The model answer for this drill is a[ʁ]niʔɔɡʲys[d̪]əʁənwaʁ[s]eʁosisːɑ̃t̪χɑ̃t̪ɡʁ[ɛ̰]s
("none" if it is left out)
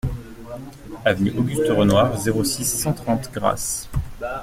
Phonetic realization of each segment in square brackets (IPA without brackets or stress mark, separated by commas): v, t̪, z, a̰